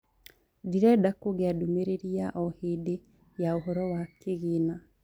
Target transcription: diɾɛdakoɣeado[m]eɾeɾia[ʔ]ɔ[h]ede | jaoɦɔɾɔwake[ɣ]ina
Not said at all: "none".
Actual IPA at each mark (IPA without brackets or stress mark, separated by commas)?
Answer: m, ʔ, h, ɣ